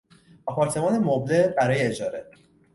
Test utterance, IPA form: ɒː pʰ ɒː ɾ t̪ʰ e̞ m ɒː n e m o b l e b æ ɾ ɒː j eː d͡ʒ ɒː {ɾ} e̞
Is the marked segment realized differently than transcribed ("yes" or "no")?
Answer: no